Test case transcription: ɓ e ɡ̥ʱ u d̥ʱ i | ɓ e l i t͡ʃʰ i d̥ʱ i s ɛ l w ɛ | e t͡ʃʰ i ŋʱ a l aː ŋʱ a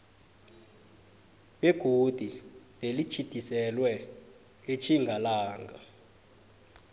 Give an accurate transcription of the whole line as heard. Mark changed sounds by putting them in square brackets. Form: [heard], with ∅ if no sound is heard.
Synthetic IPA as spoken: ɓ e ɡ̥ʱ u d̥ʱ i | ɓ e l i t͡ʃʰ i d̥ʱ i s ɛ l w ɛ | e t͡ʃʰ i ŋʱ a l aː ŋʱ a